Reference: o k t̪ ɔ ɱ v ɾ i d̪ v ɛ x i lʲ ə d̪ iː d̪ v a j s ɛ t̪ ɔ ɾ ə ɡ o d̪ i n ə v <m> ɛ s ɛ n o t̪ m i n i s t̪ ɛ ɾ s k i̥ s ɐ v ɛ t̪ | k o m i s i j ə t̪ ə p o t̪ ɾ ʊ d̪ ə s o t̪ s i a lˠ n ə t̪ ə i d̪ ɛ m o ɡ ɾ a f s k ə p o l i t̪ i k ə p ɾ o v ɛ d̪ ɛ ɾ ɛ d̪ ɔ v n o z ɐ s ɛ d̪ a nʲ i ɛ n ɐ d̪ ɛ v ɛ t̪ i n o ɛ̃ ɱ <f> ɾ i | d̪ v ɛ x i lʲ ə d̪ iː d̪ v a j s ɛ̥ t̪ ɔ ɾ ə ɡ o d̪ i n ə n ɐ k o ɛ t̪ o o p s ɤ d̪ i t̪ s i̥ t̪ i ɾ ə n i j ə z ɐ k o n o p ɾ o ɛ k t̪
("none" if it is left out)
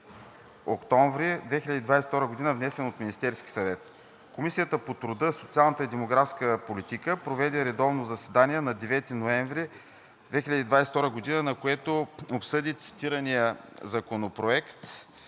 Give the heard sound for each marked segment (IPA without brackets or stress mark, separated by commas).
n, v